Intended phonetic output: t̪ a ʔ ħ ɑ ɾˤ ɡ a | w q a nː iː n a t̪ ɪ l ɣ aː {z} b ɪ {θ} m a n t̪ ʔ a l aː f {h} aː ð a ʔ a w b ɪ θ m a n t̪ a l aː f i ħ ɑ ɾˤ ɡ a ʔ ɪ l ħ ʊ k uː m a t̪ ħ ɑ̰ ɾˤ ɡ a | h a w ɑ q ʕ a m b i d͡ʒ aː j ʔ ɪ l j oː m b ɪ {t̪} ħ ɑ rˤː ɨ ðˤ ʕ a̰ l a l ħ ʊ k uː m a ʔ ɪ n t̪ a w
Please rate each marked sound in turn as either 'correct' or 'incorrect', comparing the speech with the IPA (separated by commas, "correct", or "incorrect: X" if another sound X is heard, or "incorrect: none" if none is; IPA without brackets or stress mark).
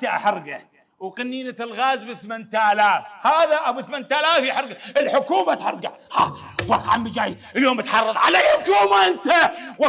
correct, correct, correct, correct